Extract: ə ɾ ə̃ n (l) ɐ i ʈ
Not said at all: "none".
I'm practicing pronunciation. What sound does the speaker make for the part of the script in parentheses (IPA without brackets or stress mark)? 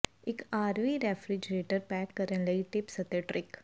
l